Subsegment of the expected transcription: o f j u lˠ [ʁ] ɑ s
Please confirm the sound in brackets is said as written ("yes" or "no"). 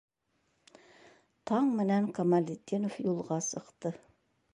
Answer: yes